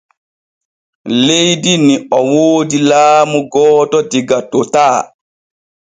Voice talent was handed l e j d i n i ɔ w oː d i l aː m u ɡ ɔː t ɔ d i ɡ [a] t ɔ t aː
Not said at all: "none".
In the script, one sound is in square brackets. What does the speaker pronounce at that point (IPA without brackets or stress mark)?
a